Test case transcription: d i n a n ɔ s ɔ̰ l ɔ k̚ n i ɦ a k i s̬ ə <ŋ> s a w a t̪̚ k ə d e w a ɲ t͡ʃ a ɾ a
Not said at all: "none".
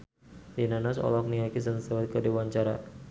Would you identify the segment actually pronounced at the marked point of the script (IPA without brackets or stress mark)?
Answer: n